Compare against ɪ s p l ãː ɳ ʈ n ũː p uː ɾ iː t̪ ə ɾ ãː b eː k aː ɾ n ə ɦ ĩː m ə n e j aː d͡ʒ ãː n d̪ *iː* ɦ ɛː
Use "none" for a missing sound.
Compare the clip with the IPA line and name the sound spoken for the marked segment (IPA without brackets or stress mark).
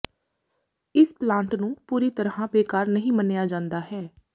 aː